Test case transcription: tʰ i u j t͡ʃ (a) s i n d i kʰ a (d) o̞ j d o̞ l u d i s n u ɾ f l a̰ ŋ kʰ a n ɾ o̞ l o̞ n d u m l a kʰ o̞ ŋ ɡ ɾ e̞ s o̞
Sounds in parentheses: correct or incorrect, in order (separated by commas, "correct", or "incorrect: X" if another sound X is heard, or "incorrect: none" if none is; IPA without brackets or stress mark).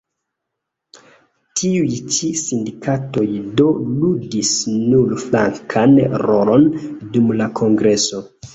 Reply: incorrect: i, incorrect: t